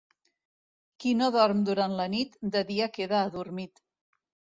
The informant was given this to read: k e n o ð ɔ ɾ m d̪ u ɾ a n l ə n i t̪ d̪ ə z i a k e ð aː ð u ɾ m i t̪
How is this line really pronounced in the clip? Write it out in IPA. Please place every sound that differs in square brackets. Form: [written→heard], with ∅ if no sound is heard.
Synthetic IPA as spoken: k [e→i] n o ð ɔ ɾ m d̪ u ɾ a n l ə n i t̪ d̪ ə [z→ð] i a k e ð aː ð u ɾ m i t̪